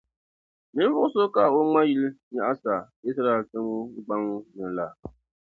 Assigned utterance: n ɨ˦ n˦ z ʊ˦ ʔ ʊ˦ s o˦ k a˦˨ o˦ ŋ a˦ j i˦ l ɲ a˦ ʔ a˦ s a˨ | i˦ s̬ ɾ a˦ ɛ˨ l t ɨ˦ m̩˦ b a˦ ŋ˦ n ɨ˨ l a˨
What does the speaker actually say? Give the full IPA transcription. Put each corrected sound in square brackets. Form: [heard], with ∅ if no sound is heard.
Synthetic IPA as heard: n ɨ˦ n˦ [v] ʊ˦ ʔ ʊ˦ s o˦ k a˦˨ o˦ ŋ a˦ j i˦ l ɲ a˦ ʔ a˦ s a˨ | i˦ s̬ ɾ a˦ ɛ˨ l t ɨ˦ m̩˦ [ɡ͡b] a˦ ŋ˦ n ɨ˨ l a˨